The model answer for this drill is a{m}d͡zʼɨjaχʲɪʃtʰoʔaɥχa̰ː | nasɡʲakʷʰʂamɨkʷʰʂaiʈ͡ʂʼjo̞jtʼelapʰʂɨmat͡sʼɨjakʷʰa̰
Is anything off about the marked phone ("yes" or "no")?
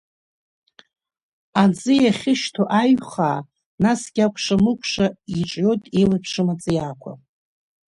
yes